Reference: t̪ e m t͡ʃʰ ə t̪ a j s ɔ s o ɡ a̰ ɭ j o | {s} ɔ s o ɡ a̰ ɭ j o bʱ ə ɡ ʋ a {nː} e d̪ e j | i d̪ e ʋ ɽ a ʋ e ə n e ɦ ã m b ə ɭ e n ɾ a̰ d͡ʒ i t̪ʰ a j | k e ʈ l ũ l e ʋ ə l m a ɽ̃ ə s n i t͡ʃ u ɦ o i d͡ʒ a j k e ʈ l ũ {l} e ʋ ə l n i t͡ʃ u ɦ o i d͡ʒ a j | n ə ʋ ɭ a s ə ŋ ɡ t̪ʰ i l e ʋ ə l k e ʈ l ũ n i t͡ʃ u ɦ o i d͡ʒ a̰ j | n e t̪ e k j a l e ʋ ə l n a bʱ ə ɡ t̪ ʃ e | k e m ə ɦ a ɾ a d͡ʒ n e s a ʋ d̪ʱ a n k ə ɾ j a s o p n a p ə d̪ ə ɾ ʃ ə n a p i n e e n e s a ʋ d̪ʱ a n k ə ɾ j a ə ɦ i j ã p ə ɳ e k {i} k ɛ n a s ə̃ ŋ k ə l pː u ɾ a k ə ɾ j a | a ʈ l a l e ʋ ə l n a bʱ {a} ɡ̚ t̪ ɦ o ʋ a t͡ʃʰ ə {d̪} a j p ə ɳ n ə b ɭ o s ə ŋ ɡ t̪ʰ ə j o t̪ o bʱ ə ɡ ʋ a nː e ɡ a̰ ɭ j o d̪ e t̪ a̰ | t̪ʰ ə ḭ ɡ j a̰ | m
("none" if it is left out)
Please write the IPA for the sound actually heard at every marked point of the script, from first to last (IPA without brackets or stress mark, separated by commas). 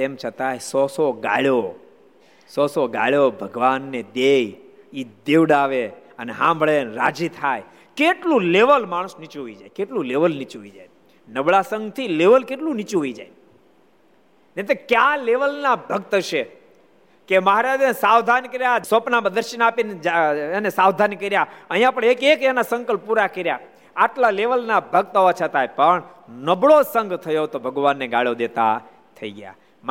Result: s, nː, l, e, ə, t̪